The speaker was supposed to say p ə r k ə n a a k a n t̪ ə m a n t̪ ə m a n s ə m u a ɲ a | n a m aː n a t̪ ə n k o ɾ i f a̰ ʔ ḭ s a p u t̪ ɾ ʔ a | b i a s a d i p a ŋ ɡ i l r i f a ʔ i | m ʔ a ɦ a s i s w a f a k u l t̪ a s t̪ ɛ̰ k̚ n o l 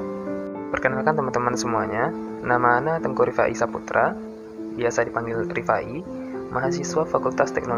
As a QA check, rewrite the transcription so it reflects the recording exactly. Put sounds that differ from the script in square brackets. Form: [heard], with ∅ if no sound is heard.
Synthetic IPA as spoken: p ə r k ə n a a k a n t̪ ə m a n t̪ ə m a n s ə m u a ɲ a | n a m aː n a t̪ ə [ŋ] k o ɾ i f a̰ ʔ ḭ s a p u t̪ ɾ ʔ a | b i a s a d i p a ŋ ɡ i l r i f a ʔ i | m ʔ a ɦ a s i s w a f a k u l t̪ a s t̪ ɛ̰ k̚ n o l